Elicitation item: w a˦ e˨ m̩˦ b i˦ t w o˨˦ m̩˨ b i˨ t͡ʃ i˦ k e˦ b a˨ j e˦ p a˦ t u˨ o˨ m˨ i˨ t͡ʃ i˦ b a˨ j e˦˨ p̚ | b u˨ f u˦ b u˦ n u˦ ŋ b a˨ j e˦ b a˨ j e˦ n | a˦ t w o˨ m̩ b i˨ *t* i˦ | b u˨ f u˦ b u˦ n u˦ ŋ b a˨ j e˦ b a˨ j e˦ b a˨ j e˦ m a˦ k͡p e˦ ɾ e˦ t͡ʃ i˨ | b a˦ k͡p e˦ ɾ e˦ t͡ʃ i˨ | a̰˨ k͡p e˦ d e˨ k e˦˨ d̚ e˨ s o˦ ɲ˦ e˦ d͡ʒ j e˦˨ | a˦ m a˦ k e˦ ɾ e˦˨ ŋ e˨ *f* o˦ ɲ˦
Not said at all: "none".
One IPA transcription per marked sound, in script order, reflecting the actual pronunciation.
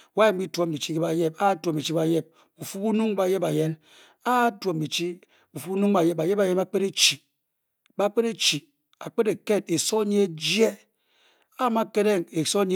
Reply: t͡ʃ, s

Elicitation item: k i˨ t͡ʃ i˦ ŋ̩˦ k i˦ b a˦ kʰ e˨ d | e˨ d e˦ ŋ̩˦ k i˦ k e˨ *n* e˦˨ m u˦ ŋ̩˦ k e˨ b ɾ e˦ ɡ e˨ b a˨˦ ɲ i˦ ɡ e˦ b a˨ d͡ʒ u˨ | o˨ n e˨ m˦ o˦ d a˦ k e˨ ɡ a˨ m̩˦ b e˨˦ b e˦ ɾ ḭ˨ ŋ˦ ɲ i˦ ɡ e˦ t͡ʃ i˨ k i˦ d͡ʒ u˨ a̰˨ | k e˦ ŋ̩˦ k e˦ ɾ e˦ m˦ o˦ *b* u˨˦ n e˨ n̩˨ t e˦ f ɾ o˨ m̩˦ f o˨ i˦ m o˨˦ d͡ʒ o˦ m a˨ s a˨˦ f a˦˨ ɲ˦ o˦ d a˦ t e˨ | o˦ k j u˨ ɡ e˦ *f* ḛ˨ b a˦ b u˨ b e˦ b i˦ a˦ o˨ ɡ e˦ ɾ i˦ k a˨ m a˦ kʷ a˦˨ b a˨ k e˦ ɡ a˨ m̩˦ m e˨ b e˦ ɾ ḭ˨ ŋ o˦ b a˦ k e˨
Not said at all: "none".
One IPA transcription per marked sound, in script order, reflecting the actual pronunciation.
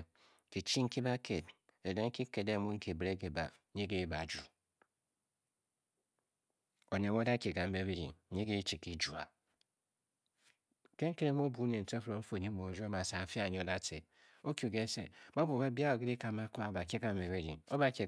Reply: d, b, s

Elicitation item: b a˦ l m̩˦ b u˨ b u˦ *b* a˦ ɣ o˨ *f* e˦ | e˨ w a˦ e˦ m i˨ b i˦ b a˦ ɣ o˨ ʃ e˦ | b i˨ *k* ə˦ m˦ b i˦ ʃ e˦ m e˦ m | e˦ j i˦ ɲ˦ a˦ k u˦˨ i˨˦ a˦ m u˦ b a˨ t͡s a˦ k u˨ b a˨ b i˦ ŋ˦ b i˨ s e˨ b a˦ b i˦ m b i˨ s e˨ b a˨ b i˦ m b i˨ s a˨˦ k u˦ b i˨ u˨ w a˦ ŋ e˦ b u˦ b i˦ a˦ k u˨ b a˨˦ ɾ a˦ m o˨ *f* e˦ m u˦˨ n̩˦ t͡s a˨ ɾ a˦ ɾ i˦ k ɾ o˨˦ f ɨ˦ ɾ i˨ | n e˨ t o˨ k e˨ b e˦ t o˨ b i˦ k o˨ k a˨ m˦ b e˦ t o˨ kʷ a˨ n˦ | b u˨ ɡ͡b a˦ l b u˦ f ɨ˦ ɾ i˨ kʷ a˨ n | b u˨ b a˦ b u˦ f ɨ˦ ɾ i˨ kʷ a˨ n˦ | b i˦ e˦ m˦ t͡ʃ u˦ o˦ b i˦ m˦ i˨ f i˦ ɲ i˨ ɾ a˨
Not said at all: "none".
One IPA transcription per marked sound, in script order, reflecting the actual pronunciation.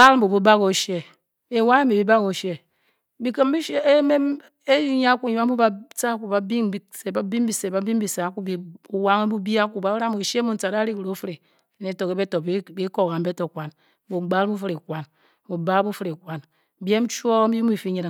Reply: b, ʃ, k, ʃ

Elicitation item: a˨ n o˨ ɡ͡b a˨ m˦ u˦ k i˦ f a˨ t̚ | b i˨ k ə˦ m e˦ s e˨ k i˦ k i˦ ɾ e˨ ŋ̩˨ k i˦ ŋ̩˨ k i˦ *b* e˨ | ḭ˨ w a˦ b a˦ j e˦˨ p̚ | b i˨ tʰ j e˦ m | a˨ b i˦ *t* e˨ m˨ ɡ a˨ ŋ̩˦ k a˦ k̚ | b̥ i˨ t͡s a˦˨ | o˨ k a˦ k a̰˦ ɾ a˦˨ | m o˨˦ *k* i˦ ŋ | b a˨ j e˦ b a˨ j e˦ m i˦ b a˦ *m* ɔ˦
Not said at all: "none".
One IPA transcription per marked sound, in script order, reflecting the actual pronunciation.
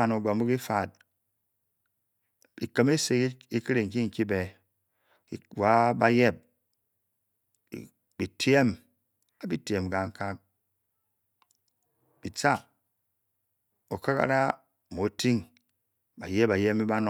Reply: b, t, t, n

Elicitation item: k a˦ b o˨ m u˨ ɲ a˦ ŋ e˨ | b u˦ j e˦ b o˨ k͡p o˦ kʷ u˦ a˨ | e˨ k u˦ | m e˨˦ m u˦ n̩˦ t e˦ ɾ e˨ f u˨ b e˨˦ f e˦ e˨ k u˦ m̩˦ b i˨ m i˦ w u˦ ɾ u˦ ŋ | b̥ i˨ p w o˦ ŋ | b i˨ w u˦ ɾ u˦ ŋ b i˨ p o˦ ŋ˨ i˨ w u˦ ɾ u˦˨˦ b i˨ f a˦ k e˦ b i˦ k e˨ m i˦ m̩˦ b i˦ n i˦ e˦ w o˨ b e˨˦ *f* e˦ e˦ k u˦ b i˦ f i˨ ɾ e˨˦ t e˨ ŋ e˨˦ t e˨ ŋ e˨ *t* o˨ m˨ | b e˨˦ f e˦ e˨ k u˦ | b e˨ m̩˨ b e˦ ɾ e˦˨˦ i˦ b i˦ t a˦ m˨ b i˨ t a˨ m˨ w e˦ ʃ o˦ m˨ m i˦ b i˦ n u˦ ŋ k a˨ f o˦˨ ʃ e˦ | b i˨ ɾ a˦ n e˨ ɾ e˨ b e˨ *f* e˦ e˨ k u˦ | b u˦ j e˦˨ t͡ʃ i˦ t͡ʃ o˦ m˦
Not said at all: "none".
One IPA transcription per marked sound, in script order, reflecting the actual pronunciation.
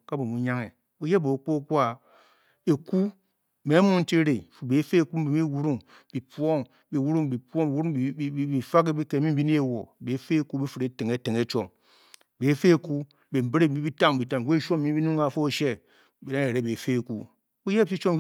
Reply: f, t͡ʃ, f

